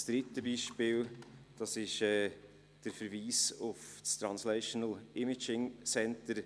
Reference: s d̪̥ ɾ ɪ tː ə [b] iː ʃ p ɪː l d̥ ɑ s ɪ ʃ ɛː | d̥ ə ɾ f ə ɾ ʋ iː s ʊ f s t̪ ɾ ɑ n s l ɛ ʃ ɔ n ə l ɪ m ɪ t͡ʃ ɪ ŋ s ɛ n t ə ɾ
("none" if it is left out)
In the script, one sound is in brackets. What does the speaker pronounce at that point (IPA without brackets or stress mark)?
b